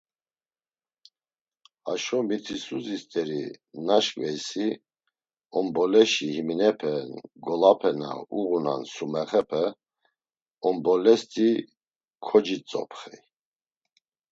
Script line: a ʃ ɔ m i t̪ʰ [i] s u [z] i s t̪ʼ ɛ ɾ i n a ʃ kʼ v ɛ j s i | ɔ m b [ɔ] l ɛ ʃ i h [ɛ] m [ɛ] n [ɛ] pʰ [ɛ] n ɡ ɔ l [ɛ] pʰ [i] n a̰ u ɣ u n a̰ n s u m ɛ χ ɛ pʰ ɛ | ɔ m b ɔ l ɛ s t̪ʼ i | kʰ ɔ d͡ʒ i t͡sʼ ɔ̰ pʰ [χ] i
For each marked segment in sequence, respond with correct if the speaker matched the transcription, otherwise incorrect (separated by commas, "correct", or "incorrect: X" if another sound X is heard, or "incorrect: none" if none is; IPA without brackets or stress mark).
correct, correct, correct, incorrect: i, incorrect: i, correct, correct, incorrect: a, incorrect: ɛ, correct